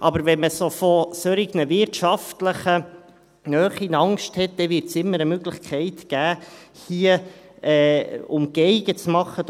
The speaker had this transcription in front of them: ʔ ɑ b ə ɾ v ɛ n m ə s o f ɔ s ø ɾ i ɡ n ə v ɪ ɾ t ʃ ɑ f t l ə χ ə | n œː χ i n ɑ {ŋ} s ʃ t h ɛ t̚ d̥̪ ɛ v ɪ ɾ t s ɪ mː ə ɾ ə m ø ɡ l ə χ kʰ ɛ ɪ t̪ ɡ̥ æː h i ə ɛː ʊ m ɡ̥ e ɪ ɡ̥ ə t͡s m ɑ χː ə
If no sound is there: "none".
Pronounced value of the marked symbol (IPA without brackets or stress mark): ŋ